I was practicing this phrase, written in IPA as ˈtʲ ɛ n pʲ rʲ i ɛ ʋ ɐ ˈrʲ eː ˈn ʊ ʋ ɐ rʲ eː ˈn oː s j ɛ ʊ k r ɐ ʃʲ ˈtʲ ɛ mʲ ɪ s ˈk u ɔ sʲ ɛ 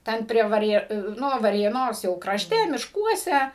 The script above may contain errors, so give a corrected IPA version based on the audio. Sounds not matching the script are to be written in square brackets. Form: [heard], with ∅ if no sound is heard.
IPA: ˈtʲ ɛ n pʲ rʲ i ɛ ʋ ɐ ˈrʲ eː ˈn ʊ ʋ ɐ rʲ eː ˈn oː s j ɛ ʊ k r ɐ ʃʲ ˈtʲ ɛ mʲ ɪ [ʃ] ˈk u ɔ sʲ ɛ